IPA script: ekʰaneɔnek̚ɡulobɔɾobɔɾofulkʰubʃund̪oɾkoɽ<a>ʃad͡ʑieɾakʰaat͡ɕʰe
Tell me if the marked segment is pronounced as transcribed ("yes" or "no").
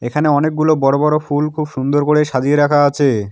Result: no